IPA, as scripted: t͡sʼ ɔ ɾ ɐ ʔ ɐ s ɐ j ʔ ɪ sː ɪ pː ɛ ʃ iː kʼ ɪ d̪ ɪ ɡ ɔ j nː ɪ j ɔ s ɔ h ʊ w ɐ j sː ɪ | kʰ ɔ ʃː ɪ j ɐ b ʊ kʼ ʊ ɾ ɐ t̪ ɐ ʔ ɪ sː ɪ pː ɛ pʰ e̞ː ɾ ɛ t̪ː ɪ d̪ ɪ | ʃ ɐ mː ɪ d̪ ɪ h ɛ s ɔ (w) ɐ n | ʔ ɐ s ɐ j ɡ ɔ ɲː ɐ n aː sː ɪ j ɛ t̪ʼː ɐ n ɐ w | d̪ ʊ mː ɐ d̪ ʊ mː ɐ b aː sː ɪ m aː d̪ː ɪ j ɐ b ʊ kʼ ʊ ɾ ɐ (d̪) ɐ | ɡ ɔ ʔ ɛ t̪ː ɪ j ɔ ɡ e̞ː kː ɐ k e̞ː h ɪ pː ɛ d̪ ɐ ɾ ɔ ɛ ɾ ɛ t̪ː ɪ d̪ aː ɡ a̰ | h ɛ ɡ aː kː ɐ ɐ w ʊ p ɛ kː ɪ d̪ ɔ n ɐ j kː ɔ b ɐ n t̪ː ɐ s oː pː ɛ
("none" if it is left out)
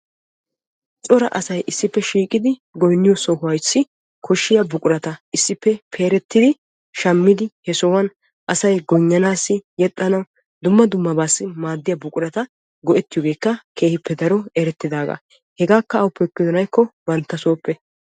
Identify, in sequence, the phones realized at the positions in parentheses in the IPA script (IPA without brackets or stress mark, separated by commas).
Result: w, t̪